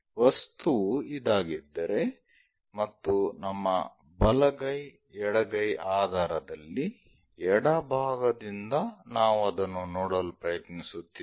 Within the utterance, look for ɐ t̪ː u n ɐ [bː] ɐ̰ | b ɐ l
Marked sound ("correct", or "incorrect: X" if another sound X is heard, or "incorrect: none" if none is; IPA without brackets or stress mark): incorrect: mː